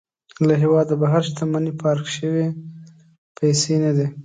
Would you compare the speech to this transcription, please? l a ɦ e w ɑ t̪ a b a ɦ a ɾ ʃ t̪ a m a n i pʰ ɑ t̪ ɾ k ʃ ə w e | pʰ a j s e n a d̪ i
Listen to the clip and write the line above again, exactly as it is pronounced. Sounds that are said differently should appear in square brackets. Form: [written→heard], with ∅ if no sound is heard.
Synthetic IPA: l a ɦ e w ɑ [t̪→d̪] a b a ɦ a ɾ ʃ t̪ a m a n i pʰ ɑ [t̪→∅] ɾ k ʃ ə w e | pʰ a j s e n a d̪ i